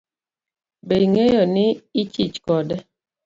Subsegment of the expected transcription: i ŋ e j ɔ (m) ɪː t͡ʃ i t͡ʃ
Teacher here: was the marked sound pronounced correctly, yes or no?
no